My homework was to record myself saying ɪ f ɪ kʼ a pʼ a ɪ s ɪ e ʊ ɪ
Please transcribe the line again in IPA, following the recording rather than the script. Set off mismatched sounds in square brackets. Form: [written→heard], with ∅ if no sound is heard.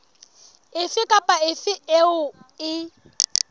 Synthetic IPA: ɪ f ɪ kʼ a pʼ a ɪ [s→f] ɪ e ʊ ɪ